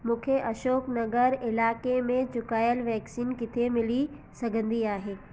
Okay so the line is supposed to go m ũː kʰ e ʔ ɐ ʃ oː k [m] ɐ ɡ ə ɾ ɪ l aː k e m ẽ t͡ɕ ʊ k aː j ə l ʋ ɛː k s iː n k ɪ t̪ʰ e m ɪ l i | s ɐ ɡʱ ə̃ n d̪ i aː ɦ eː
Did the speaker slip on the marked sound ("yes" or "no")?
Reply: yes